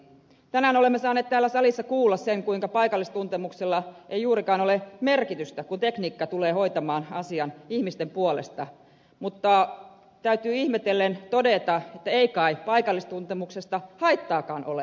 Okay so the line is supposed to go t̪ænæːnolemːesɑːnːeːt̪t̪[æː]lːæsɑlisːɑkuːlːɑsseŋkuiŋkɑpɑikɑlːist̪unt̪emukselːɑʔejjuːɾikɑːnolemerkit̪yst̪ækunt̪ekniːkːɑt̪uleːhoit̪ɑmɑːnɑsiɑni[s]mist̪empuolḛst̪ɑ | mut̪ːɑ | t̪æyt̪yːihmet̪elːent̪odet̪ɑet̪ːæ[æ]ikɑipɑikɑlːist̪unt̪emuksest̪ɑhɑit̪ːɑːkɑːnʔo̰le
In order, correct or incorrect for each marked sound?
correct, incorrect: h, incorrect: e

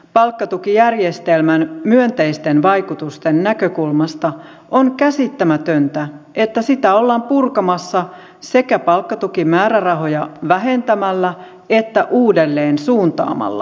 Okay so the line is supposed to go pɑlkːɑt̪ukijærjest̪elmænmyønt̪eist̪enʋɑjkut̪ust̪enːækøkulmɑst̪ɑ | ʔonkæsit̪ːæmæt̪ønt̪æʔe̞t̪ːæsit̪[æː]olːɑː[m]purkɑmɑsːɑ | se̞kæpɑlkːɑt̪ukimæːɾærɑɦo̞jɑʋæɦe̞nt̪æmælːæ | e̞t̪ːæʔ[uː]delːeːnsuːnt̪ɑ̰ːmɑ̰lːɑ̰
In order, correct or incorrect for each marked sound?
incorrect: æ, correct, correct

